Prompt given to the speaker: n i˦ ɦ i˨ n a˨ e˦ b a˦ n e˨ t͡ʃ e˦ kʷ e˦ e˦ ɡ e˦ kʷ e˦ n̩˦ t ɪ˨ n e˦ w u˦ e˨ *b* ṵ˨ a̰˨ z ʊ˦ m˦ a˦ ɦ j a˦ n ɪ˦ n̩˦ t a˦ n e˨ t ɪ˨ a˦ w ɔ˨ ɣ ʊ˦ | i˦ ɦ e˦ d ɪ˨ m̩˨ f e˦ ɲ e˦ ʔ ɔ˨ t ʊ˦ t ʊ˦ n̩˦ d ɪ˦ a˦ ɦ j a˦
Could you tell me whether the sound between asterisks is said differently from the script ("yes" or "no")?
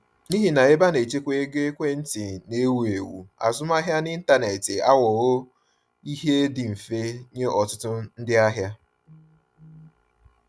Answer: yes